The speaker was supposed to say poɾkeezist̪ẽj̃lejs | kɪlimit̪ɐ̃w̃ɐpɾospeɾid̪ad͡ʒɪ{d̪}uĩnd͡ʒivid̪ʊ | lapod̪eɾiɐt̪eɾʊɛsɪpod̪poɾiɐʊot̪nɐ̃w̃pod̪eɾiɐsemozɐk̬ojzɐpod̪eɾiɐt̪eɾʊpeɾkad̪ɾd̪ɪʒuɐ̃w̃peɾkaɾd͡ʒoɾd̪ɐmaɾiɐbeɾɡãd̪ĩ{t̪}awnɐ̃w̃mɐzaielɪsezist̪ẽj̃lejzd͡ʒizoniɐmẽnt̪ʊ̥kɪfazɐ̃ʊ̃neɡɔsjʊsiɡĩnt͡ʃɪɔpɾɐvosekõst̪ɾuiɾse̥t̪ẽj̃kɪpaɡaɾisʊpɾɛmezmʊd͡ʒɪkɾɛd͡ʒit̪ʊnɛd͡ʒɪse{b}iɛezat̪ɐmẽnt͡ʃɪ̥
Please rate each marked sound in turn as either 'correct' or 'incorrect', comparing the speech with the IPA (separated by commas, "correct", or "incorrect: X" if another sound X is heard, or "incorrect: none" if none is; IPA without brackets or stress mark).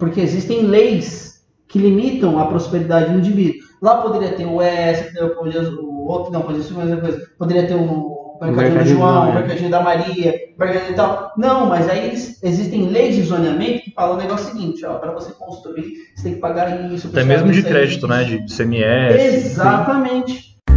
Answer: correct, correct, incorrect: m